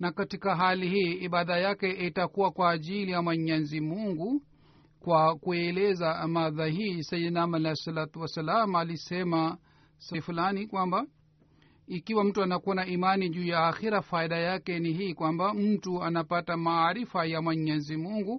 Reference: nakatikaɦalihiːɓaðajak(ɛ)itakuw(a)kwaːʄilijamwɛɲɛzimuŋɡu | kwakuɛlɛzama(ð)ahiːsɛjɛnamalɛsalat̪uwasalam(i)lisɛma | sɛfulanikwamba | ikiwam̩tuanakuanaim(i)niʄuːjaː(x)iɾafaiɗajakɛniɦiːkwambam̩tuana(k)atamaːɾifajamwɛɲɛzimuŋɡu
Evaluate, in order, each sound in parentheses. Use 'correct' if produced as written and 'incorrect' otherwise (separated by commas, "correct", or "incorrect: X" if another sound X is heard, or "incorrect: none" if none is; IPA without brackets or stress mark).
correct, correct, correct, incorrect: a, incorrect: a, correct, incorrect: p